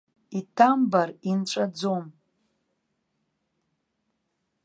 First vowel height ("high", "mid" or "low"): high